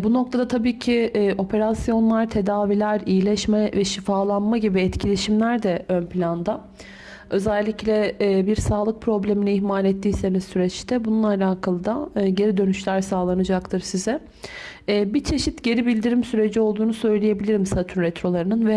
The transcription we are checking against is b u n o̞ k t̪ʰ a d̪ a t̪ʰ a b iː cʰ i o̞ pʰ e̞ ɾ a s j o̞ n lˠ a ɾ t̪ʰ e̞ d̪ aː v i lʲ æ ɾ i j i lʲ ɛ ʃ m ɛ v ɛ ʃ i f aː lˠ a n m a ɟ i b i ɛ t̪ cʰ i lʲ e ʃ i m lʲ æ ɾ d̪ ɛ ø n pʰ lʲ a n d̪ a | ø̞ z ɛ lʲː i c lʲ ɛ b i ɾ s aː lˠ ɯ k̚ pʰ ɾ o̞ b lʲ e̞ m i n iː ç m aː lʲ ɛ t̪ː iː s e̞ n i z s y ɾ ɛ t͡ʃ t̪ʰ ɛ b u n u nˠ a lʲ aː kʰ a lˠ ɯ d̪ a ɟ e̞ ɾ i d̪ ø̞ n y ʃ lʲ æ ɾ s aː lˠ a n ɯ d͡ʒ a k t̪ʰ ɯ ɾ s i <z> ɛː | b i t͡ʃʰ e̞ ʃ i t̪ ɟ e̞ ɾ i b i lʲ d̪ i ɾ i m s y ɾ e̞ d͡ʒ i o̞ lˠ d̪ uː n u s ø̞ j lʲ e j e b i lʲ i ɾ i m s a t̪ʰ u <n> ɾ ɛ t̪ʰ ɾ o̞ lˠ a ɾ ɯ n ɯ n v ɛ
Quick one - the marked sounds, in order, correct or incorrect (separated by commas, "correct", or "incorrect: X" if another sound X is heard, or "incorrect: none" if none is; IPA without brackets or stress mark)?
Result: correct, correct